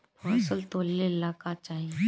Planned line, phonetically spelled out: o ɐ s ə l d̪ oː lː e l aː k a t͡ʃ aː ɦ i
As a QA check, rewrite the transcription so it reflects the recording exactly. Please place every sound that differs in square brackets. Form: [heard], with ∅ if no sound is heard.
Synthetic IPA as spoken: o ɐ s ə l [t̪] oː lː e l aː k a t͡ʃ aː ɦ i